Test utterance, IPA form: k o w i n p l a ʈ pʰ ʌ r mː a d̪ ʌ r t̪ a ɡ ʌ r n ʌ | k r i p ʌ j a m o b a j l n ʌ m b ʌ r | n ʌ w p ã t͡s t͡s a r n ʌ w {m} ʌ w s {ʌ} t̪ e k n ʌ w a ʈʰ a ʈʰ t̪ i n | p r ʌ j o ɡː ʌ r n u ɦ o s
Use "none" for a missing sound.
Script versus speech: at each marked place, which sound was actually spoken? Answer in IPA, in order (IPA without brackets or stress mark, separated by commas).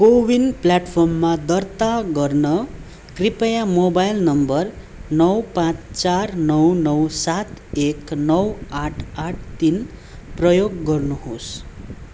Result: n, a